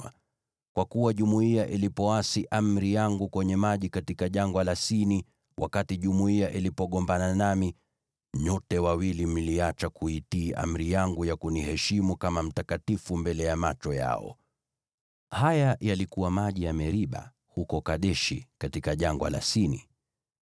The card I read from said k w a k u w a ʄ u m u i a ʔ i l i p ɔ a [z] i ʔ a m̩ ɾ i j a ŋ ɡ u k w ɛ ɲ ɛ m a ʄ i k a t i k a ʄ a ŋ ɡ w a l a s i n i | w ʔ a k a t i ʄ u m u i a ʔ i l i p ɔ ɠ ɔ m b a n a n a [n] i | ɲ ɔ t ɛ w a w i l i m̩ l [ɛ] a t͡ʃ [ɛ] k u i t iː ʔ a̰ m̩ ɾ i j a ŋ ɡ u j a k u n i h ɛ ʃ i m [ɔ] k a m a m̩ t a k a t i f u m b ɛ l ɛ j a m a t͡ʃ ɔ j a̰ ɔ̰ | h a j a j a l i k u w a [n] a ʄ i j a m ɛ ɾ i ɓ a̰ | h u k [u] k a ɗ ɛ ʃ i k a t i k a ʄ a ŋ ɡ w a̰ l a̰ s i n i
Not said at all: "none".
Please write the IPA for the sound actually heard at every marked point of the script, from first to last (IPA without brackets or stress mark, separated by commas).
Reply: s, m, i, a, u, m, ɔ